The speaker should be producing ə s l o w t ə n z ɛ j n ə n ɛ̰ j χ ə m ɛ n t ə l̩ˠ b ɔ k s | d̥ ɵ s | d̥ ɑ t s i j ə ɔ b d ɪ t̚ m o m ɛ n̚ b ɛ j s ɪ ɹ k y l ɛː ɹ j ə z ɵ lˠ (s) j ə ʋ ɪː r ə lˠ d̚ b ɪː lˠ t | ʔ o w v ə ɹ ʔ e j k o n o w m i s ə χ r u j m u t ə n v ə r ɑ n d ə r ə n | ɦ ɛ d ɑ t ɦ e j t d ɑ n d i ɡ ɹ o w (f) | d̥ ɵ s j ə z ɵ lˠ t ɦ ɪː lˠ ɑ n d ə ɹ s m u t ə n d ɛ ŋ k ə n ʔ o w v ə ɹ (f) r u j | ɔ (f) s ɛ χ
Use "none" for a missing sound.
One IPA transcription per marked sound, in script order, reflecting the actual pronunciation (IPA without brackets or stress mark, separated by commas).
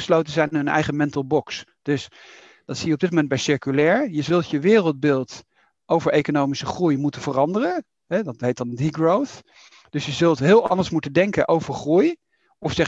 t, θ, χ, f